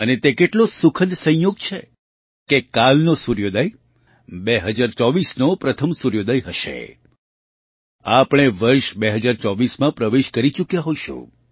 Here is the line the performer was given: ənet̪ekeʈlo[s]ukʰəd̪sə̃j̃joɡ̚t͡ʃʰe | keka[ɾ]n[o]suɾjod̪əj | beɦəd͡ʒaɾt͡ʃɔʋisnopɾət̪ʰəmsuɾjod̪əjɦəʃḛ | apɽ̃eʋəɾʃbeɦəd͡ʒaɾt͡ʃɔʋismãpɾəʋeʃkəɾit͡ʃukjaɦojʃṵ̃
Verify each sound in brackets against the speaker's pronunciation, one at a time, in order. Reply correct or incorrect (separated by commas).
correct, incorrect, correct